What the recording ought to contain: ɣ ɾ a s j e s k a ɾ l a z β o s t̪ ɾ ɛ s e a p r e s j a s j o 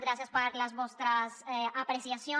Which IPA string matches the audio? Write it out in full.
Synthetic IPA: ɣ ɾ a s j a s p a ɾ l a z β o s t̪ ɾ a s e a p ɾ e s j a s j o